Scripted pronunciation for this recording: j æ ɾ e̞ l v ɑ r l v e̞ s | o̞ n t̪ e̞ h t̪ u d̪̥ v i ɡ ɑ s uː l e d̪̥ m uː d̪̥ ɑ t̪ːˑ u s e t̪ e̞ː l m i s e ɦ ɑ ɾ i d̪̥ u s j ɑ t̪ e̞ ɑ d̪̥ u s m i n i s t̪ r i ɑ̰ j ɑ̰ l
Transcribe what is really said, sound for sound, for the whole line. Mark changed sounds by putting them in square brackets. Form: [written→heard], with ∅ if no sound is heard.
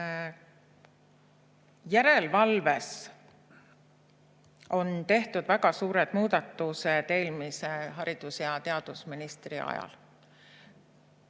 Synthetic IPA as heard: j æ ɾ e̞ l v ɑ [r→∅] l v e̞ s | o̞ n t̪ e̞ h t̪ u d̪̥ v [i→æ] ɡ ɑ s uː [l→ɾ] e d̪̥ m uː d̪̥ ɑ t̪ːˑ u s e t̪ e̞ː l m i s e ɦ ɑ ɾ i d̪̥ u s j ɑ t̪ e̞ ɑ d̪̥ u s m i n i s t̪ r i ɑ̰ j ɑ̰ l